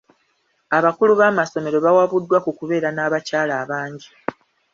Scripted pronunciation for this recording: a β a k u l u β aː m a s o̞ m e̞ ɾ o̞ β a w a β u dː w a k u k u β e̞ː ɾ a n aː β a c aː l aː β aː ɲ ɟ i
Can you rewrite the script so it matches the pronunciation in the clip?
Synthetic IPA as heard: a β a k u l u β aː m a s o̞ m e̞ ɾ o̞ β a w a β u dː w a k u k u β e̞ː ɾ a n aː β a c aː l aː β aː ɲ ɟ i